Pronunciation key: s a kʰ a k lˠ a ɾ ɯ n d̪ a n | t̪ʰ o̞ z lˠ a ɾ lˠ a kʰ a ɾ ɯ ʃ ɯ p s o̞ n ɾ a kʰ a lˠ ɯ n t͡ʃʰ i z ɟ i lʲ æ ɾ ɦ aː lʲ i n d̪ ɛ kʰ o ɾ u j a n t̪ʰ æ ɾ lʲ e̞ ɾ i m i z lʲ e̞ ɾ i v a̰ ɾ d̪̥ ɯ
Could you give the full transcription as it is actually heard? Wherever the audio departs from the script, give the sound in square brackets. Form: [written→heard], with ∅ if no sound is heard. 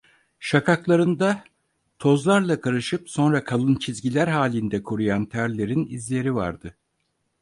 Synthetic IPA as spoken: [s→ʃ] a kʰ a k lˠ a ɾ ɯ n d̪ a [n→∅] | t̪ʰ o̞ z lˠ a ɾ lˠ a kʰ a ɾ ɯ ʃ ɯ p s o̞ n ɾ a kʰ a lˠ ɯ n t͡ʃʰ i z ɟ i lʲ æ ɾ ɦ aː lʲ i n d̪ ɛ kʰ o ɾ u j a n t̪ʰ æ ɾ lʲ e̞ ɾ i [m→n] i z lʲ e̞ ɾ i v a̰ ɾ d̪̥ ɯ